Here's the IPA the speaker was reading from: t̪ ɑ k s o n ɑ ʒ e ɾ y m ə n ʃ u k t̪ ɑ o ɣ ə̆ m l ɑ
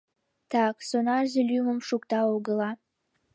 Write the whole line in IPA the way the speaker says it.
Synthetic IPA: t̪ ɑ k s o n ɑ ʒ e l y m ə m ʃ u k t̪ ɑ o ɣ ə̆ l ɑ